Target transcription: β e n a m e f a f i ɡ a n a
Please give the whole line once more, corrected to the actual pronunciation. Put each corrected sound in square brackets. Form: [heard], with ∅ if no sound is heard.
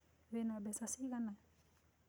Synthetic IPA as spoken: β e n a [b] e [s] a [s] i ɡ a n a